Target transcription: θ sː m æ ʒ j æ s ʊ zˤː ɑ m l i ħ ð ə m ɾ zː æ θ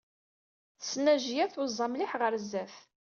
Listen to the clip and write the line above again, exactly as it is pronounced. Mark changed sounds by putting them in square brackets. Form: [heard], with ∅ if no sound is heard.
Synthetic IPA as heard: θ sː [n] æ ʒ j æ [θ] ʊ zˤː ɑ m l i ħ [ʁ] ə [∅] ɾ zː æ θ